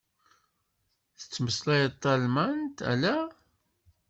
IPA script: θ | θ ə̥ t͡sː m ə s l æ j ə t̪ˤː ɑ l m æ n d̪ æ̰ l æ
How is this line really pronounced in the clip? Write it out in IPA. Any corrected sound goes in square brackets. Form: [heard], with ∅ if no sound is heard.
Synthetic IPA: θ | θ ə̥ t͡sː m ə s l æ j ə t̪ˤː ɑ l m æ n [t̪] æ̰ l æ